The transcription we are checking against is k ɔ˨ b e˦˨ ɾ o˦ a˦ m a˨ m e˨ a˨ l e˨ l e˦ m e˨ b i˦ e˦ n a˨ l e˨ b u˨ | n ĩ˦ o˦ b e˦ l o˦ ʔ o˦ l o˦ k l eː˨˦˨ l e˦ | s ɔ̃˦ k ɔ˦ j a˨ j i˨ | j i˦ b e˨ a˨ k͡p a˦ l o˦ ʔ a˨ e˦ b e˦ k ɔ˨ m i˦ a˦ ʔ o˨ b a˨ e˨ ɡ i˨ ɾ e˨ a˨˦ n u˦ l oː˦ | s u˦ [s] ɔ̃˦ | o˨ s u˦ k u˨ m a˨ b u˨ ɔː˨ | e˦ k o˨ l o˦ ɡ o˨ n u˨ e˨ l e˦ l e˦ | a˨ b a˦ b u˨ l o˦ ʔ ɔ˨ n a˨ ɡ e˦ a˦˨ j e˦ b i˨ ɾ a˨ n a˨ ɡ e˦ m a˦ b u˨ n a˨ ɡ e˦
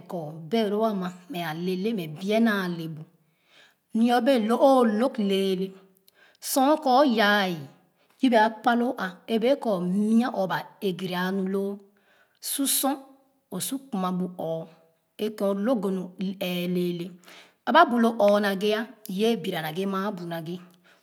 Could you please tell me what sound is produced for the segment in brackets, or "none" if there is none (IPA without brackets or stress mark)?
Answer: s